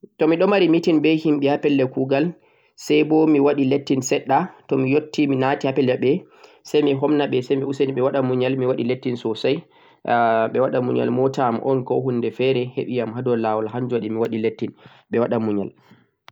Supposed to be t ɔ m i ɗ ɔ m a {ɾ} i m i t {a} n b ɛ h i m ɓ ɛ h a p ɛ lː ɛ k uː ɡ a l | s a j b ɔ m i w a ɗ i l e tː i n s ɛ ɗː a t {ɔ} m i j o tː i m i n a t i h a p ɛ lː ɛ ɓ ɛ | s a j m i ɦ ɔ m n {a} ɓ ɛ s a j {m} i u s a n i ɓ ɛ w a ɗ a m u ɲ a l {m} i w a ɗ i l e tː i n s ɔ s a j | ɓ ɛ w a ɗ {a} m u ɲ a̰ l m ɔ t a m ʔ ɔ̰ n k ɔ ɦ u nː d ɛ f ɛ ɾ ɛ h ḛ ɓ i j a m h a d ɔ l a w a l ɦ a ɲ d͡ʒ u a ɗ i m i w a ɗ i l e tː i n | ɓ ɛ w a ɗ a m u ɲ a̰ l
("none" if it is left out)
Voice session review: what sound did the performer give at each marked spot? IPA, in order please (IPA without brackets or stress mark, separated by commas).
ɾ, i, ɔ, a, m, m, a